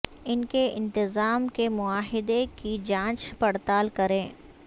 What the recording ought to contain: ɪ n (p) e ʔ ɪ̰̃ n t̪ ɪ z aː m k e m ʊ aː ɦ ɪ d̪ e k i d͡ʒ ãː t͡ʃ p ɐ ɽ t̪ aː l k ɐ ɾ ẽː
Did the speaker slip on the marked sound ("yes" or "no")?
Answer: yes